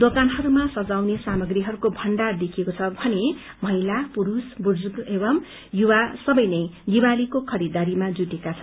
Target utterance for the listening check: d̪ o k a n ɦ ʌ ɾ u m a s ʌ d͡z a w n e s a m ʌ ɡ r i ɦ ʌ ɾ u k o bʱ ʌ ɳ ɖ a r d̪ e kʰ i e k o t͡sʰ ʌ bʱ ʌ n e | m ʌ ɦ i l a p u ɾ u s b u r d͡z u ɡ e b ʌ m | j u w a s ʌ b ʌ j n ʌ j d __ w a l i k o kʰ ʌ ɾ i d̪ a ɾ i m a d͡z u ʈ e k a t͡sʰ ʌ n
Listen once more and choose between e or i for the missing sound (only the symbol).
i